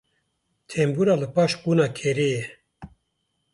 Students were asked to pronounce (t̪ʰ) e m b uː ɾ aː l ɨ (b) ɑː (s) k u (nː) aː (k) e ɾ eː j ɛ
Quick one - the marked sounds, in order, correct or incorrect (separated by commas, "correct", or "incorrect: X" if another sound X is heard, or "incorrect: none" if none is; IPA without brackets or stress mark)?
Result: correct, incorrect: p, incorrect: ʃ, incorrect: n, incorrect: kʰ